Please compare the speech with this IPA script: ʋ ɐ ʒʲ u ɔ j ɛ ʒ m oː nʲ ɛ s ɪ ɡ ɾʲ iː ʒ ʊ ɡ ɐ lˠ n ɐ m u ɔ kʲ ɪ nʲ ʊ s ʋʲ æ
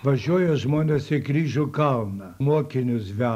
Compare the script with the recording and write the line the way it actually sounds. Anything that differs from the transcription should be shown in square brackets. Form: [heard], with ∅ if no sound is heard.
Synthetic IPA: ʋ ɐ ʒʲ u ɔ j ɛ ʒ m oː nʲ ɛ s ɪ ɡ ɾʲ iː ʒ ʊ [k] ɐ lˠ n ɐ m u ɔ kʲ ɪ nʲ ʊ s ʋʲ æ